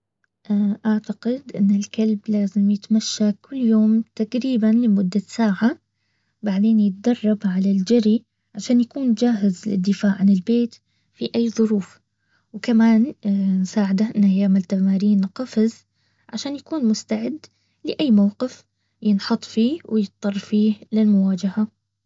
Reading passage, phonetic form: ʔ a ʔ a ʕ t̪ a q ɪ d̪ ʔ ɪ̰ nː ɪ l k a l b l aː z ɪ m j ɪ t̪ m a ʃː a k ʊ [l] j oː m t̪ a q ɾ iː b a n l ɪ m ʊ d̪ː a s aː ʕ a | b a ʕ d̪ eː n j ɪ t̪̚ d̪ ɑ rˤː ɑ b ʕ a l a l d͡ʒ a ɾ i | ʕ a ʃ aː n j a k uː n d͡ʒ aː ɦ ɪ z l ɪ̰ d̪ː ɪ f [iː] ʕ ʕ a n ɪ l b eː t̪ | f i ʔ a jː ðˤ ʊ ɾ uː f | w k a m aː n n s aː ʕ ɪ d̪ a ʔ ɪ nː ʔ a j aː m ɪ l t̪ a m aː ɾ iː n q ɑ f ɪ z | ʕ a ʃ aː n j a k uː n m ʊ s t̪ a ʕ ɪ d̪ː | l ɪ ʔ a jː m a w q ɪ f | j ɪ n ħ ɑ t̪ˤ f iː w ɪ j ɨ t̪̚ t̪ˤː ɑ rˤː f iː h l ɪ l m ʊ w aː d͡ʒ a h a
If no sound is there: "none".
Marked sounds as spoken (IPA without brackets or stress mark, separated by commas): lː, aː